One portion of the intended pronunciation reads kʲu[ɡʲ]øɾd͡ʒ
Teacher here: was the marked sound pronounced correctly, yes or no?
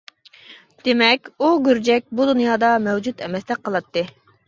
yes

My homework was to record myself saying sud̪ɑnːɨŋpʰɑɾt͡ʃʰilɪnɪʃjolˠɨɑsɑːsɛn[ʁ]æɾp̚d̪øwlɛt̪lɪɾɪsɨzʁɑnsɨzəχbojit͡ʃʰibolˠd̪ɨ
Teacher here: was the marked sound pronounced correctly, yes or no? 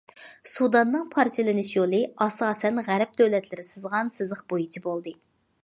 yes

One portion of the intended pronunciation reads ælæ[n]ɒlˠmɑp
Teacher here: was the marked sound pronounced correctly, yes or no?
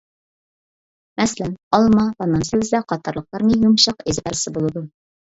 yes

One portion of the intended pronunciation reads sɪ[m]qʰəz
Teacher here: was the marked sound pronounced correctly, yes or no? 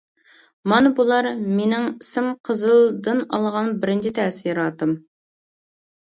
yes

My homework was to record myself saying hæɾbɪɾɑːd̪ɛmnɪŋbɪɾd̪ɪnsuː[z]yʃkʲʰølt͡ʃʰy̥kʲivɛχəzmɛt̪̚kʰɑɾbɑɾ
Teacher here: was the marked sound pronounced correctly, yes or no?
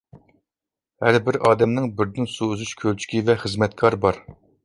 yes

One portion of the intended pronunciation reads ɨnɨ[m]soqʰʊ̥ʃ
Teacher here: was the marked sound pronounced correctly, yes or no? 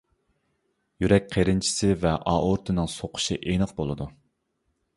no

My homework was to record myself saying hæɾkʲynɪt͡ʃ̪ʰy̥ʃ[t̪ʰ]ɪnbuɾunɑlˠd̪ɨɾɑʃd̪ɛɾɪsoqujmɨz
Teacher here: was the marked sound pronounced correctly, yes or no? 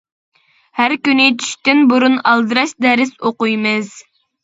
no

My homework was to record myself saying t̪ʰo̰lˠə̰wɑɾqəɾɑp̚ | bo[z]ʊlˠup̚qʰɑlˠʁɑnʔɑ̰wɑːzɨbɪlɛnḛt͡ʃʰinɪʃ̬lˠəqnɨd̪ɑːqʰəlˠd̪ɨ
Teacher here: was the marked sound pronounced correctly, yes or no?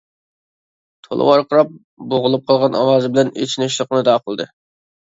no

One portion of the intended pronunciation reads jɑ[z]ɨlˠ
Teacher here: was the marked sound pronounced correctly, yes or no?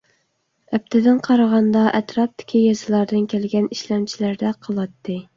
yes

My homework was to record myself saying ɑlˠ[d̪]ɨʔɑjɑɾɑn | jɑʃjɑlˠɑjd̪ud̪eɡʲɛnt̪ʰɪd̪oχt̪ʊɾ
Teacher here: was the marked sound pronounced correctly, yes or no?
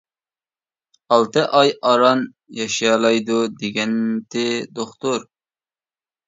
no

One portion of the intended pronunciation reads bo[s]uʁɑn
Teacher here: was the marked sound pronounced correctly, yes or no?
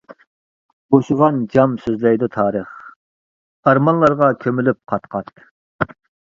no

